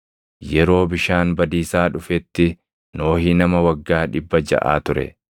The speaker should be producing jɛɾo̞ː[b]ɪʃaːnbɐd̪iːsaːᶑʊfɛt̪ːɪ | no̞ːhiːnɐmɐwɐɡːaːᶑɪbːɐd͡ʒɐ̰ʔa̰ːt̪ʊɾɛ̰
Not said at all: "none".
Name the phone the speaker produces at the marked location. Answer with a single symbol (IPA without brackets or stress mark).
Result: b